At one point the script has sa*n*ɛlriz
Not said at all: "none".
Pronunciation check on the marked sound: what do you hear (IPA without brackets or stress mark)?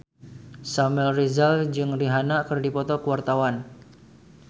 m